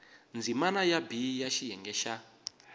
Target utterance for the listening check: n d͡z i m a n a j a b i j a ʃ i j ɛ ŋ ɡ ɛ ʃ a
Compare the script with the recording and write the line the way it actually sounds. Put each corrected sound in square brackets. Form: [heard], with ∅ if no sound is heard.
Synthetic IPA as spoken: n d͡z i m a n a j a b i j a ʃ i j ɛ ŋ ɡ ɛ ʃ a